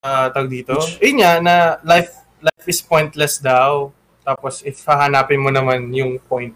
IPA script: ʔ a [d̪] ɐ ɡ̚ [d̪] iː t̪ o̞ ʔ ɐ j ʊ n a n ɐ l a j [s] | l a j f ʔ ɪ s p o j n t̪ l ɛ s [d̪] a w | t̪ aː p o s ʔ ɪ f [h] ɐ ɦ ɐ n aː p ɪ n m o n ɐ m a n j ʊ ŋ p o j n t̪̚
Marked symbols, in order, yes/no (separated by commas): no, yes, no, yes, yes